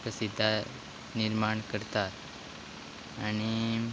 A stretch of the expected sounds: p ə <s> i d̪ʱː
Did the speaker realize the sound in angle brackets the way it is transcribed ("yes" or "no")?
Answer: yes